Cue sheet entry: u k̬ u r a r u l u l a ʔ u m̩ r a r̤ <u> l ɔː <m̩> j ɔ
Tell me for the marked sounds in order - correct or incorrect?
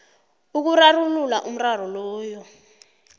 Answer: incorrect, incorrect

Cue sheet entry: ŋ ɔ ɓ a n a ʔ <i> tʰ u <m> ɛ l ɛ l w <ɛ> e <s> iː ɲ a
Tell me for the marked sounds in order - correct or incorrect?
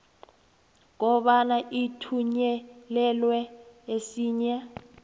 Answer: correct, incorrect, correct, correct

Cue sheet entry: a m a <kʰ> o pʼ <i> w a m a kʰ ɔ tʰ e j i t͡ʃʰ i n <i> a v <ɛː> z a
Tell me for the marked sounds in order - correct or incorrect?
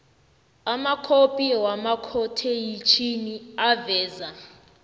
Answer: correct, correct, correct, correct

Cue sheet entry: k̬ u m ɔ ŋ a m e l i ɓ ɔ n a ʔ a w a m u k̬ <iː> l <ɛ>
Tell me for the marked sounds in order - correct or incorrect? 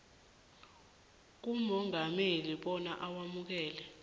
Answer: incorrect, correct

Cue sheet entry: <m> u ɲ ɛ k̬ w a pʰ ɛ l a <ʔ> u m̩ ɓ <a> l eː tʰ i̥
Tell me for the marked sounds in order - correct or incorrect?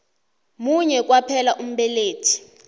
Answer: correct, correct, incorrect

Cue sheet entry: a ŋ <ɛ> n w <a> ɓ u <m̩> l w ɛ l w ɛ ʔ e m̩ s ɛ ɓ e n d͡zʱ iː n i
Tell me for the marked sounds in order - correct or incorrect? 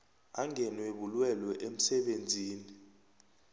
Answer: correct, incorrect, incorrect

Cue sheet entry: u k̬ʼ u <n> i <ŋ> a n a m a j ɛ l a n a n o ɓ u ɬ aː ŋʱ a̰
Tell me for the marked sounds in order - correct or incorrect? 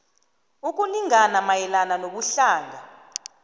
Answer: correct, correct

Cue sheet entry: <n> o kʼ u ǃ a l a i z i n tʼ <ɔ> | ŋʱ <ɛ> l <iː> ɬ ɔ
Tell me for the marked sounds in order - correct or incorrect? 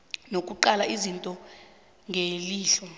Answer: correct, correct, incorrect, correct

